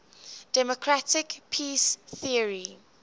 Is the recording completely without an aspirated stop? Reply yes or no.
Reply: no